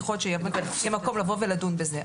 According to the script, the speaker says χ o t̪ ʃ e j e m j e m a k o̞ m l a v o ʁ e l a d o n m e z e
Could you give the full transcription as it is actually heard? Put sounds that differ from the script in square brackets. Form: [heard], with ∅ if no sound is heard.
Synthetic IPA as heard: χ o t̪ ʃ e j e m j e m a k o̞ m l a v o [v] e l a d [u] n [b] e z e